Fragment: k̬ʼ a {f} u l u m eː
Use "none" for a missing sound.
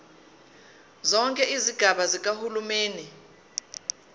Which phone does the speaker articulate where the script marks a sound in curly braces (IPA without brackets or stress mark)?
h